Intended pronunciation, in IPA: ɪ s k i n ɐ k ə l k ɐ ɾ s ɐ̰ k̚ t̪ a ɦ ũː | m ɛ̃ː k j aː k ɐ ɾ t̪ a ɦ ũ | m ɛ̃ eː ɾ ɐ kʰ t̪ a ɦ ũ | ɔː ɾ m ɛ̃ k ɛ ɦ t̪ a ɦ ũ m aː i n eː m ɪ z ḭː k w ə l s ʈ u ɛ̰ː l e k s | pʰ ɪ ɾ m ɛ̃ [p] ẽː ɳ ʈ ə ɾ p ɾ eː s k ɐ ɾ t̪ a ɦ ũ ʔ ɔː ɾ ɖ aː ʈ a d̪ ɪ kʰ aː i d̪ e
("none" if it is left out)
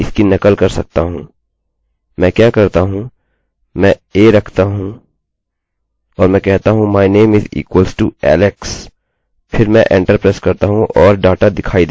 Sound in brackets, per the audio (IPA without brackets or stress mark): ʔ